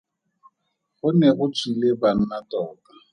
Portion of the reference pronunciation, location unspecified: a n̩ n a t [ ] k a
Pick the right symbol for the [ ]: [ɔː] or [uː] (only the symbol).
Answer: ɔː